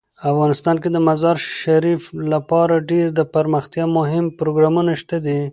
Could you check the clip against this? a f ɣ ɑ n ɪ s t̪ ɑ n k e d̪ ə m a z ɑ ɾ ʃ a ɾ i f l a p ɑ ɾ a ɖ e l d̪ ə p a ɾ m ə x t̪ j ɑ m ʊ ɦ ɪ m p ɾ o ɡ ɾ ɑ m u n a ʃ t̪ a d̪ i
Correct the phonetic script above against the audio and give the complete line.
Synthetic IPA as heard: a f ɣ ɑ n ɪ s t̪ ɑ n k e d̪ ə m a z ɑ ɾ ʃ a ɾ i f l a p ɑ ɾ a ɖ e ɾ d̪ ə p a ɾ m ə x t̪ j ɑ m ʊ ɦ ɪ m p ɾ o ɡ ɾ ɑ m u n a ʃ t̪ a d̪ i

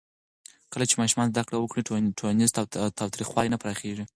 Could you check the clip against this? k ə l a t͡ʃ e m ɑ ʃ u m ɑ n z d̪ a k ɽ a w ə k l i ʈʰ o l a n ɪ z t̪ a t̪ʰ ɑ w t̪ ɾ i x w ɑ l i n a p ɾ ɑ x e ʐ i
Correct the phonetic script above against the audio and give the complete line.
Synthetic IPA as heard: k ə l a t͡ʃ e m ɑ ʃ u m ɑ n z d̪ a k ɽ a w ə k ɽ i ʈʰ o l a n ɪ z t̪ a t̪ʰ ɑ w t̪ ɾ i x w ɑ l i n a p ɾ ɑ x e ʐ i

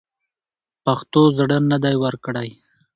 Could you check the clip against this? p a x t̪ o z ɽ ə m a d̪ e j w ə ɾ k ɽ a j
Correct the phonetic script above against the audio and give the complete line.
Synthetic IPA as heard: p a x t̪ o z ɽ ə n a d̪ a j w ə ɾ k ɽ a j

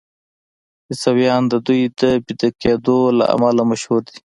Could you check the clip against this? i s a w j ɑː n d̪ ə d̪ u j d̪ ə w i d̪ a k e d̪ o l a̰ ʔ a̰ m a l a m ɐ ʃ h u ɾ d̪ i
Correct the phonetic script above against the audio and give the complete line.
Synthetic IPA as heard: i s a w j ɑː n d̪ ə d̪ u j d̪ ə b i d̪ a k e d̪ o l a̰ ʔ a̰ m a l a m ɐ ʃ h u ɾ d̪ i

